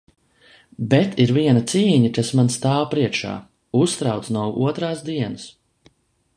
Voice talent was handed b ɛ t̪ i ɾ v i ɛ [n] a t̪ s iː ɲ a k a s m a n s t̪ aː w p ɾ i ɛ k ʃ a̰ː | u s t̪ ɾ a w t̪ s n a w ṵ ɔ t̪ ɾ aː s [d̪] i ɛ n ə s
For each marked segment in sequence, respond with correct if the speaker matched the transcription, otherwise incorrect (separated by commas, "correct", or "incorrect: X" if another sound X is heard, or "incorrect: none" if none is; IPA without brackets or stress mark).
correct, correct